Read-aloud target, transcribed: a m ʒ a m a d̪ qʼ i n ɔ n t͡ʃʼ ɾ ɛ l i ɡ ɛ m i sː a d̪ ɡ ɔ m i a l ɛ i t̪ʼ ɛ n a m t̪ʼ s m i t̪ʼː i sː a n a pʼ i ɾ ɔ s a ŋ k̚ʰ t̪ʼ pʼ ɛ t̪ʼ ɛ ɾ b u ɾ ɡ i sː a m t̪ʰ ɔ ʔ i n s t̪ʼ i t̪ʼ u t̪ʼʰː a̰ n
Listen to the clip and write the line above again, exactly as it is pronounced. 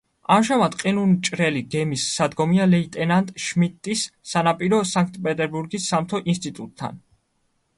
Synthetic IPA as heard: a m ʒ a m a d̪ qʼ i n u n t͡ʃʼ ɾ ɛ l i ɡ ɛ m i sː a d̪ ɡ ɔ m i a l ɛ i t̪ʼ ɛ n a n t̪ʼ ʃ m i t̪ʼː i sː a n a pʼ i ɾ ɔ s a ŋ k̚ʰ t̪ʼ pʼ ɛ t̪ʼ ɛ ɾ b u ɾ ɡ i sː a m t̪ʰ ɔ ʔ i n s t̪ʼ i t̪ʼ u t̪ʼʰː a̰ n